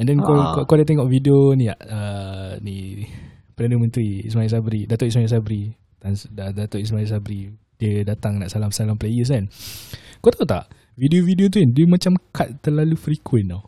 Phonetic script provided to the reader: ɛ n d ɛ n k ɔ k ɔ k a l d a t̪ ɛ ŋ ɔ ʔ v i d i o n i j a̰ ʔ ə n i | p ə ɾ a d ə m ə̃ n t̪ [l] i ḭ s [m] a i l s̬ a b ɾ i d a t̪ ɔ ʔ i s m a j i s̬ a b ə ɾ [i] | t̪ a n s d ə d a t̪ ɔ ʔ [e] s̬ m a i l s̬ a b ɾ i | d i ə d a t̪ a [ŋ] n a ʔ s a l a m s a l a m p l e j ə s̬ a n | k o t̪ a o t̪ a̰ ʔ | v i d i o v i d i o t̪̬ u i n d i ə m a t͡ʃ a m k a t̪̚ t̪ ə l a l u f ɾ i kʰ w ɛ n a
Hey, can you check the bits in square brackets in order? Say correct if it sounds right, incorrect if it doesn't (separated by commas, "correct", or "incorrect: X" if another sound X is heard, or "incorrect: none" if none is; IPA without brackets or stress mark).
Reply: incorrect: ɾ, correct, correct, incorrect: i, correct